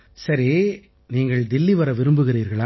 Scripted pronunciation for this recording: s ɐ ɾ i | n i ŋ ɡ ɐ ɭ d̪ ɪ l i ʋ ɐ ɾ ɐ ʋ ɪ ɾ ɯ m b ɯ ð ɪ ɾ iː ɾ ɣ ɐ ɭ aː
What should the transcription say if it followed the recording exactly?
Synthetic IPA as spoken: s ɐ ɾ i | n iː ŋ ɡ ɐ ɭ d̪ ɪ lː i ʋ ɐ ɾ ɐ ʋ ɪ ɾ ɯ m b ɯ ɣ ɪ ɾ iː ɾ ɣ ɐ ɭ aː